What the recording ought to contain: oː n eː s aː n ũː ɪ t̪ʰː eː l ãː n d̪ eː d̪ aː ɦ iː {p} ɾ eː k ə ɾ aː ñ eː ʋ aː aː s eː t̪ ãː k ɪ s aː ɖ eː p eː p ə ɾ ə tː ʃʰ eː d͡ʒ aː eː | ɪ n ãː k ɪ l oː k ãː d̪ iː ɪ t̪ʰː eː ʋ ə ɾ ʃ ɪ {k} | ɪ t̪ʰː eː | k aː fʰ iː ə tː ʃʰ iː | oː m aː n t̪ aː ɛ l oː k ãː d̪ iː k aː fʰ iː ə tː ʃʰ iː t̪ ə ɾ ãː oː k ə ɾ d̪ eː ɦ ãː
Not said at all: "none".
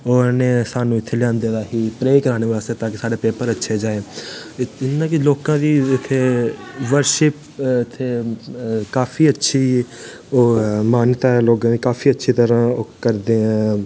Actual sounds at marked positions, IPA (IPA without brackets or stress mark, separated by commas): p, p